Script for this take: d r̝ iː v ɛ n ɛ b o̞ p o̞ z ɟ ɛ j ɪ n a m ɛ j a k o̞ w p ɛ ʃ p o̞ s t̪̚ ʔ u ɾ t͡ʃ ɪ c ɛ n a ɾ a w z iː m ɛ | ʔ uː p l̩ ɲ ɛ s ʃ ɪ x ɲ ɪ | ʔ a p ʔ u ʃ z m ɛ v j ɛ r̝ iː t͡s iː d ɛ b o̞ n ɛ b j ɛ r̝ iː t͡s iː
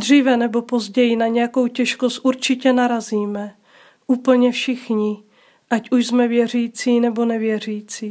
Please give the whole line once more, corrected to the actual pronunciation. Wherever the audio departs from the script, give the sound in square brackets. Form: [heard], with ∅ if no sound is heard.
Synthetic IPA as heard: d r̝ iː v ɛ n ɛ b o̞ p o̞ z ɟ ɛ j ɪ n a [ɲ] ɛ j a k o̞ w [c] ɛ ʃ [k] o̞ s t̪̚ ʔ u ɾ t͡ʃ ɪ c ɛ n a ɾ a [∅] z iː m ɛ | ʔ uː p l̩ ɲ ɛ [f] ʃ ɪ x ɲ ɪ | ʔ a [c] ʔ u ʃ z m ɛ v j ɛ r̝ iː t͡s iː [n] ɛ b o̞ n ɛ [v] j ɛ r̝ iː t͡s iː